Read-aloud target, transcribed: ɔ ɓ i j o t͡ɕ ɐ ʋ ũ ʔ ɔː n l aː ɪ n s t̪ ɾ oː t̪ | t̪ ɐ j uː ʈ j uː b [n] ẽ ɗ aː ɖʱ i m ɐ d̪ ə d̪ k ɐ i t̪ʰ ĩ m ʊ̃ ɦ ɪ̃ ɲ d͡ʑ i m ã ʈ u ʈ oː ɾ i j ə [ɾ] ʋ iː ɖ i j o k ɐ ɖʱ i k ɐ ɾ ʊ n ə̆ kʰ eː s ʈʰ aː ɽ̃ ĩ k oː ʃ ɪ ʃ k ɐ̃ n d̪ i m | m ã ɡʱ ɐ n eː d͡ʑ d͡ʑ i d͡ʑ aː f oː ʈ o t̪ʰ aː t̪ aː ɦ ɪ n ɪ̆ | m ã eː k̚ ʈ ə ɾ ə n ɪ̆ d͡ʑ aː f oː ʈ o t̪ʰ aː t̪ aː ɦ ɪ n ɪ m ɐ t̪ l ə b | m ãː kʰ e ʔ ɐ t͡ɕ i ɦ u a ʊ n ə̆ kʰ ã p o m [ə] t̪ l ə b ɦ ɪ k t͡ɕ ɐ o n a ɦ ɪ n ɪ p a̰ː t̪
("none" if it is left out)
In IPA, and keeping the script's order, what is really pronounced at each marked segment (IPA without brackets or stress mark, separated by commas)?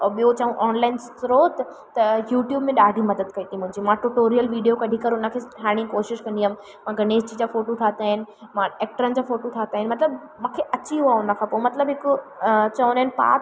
m, l, ɐ